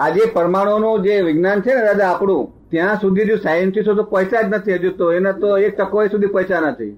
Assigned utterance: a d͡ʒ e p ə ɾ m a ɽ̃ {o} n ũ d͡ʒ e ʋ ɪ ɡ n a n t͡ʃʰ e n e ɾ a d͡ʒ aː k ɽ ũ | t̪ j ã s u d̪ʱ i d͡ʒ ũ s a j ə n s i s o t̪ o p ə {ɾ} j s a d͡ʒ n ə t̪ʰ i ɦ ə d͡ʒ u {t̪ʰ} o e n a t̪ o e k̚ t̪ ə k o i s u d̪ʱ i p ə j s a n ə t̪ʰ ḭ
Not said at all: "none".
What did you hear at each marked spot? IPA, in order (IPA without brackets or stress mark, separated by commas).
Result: o, none, t̪